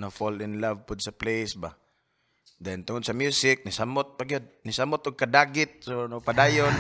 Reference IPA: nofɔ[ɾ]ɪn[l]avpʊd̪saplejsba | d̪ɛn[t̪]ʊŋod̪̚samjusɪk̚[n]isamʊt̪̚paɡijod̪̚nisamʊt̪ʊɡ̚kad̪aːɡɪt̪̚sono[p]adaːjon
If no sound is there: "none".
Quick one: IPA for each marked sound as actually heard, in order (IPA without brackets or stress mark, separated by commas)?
l, l, t̪, n, p